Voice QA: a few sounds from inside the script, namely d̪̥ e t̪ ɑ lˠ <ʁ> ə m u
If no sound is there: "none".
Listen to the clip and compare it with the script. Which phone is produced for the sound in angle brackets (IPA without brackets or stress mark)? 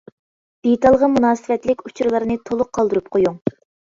ʁ